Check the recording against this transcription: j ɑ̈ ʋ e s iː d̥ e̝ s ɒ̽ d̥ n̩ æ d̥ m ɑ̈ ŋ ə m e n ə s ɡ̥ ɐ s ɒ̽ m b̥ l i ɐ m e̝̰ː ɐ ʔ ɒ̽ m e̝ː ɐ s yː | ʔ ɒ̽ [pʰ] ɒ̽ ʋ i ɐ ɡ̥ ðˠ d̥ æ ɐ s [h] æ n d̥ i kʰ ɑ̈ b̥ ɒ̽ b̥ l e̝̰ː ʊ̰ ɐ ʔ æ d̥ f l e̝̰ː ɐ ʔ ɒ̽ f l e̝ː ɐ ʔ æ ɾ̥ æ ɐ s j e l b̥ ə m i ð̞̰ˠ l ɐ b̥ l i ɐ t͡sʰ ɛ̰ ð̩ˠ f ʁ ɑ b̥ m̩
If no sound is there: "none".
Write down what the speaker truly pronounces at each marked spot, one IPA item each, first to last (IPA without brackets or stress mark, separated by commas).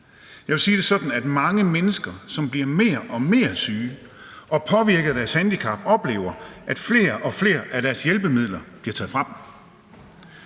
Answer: pʰ, h